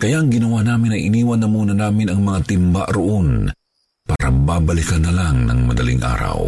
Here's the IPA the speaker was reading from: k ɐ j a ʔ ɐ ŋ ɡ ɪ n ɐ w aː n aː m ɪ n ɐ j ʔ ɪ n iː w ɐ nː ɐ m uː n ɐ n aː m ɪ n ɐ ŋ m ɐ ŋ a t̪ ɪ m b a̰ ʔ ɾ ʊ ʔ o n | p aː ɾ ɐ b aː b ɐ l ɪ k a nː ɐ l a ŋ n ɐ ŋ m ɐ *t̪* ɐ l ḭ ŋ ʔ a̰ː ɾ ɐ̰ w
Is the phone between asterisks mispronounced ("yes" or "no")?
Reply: yes